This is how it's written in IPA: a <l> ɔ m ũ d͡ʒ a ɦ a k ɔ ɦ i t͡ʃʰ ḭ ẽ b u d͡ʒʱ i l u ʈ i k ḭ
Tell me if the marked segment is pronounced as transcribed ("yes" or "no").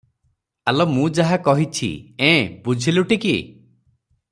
yes